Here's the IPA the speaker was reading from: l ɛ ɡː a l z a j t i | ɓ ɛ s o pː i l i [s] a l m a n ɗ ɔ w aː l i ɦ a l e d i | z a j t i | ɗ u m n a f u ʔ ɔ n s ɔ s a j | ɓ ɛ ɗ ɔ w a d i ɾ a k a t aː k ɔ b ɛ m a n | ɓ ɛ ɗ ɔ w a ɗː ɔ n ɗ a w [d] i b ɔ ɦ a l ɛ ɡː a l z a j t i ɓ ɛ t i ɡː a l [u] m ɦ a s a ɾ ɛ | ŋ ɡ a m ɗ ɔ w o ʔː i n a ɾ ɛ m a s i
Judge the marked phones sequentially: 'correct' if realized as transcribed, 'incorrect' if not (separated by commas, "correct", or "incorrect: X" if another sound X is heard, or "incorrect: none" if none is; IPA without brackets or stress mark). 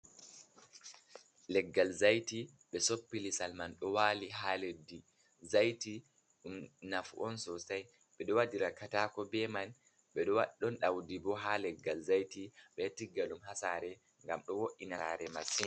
correct, correct, correct